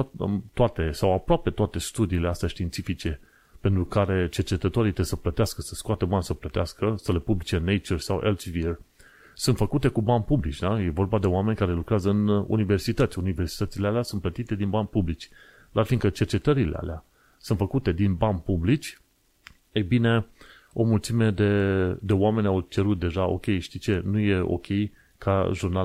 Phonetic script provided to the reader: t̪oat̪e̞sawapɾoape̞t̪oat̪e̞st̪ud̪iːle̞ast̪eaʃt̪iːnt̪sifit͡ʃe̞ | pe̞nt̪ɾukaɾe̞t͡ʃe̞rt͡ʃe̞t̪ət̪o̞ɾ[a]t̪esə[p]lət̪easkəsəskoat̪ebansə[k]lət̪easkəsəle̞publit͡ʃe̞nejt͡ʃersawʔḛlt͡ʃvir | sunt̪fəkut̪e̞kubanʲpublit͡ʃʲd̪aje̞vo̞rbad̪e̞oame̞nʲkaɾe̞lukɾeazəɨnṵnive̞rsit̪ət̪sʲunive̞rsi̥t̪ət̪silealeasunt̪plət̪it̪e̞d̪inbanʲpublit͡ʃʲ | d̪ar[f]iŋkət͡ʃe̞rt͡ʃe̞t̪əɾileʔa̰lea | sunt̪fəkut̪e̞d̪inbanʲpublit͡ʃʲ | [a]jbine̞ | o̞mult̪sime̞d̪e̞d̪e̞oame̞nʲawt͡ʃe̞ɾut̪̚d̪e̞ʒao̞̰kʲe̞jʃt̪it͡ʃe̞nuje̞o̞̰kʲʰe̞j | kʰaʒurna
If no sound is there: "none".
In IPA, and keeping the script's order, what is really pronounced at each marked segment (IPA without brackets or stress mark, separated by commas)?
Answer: i, p, p, f, e